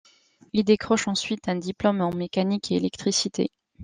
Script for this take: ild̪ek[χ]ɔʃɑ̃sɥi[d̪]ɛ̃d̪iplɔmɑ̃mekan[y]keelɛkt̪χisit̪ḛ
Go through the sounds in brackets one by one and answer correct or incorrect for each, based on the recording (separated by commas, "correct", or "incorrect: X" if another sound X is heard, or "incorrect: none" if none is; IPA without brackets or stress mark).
correct, incorrect: t̪, incorrect: i